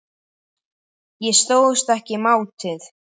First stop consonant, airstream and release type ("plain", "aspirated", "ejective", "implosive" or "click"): plain